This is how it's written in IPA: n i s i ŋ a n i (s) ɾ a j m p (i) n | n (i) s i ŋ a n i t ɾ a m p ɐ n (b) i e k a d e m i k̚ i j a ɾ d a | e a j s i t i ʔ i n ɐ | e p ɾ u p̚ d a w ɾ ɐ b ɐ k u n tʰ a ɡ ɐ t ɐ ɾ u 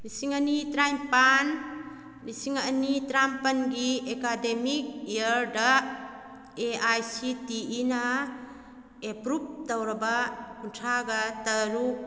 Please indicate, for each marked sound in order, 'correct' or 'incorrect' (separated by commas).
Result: incorrect, incorrect, correct, incorrect